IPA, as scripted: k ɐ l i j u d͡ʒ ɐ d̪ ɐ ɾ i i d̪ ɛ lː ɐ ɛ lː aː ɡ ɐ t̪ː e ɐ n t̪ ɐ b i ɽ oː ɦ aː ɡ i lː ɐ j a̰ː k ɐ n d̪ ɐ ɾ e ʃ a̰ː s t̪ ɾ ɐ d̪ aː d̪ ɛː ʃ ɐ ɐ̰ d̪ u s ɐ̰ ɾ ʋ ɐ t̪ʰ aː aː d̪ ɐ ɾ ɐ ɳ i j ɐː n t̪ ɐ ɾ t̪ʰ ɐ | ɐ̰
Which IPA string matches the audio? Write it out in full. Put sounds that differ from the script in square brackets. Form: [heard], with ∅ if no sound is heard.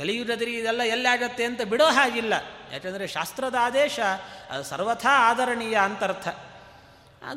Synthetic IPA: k ɐ l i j u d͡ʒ ɐ d̪ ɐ ɾ i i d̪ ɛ lː ɐ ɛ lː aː ɡ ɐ t̪ː e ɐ n t̪ ɐ b i ɽ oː ɦ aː ɡ i lː ɐ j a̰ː k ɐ n d̪ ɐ ɾ e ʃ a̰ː s t̪ ɾ ɐ d̪ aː d̪ ɛː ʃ ɐ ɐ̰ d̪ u s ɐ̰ ɾ ʋ ɐ t̪ʰ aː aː d̪ ɐ ɾ ɐ ɳ i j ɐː n t̪ ɐ ɾ t̪ʰ ɐ | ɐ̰